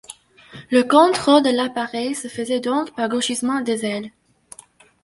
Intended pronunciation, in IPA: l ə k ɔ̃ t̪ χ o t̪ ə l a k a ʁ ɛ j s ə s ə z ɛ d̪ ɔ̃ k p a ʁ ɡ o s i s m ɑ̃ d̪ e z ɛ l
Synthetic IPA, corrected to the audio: l ə k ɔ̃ t̪ χ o d̪ ə l a p a ʁ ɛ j s ə f ə z ɛ d̪ ɔ̃ k p a ʁ ɡ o ʃ i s m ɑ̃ d̪ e z ɛ l